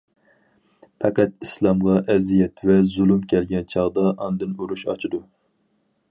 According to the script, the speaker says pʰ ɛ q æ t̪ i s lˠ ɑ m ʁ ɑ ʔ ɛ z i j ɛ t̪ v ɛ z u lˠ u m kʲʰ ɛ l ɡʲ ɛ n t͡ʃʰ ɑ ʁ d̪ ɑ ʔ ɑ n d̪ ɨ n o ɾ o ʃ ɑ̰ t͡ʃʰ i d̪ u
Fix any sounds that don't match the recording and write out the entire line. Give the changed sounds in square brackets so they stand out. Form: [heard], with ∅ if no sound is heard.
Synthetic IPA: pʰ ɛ q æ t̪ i s lˠ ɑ m ʁ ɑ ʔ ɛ z i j ɛ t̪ v ɛ z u lˠ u m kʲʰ ɛ l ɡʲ ɛ n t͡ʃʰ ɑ ʁ d̪ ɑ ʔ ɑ n d̪ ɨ n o ɾ [u] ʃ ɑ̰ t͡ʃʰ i d̪ u